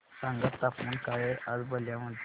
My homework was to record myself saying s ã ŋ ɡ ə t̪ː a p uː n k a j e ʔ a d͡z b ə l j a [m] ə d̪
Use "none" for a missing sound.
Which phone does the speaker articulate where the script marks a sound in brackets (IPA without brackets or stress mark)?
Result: m